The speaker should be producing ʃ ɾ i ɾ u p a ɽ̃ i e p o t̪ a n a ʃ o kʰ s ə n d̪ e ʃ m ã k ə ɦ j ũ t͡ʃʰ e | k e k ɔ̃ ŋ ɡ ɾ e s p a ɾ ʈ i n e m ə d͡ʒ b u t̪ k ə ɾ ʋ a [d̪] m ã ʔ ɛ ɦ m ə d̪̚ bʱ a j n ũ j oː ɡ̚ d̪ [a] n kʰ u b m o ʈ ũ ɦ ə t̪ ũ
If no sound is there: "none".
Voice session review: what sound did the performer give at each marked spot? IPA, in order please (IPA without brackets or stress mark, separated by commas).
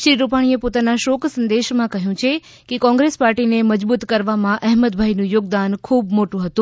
none, a